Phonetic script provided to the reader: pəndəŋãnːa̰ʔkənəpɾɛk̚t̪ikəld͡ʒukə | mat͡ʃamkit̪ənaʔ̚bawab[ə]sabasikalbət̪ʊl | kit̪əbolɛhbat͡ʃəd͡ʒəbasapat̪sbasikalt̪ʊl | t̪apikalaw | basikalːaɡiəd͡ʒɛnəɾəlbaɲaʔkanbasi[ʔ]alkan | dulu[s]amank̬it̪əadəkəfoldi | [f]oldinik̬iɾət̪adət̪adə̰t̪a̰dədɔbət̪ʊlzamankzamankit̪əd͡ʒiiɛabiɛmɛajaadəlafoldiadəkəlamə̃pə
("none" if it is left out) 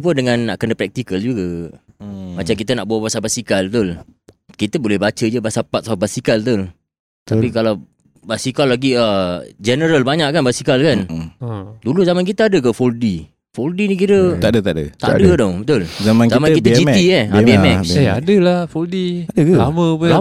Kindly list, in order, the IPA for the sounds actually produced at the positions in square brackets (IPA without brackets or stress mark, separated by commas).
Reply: a, k, z, f